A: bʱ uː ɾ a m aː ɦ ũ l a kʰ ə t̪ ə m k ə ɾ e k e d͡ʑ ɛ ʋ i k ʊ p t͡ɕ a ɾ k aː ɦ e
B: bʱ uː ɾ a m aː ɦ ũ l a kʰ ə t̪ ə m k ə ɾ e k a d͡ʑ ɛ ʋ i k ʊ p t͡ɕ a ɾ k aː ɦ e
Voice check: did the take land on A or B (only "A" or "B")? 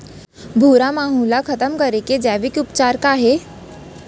A